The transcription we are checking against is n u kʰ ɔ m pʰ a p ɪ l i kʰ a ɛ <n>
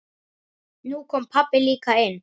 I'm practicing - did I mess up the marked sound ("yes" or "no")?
no